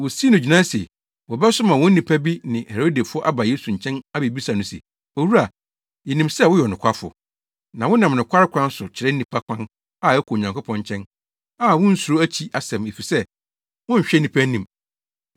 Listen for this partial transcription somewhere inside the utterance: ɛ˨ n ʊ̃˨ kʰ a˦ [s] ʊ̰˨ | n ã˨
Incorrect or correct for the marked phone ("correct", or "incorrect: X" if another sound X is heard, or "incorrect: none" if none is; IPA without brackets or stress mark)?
incorrect: f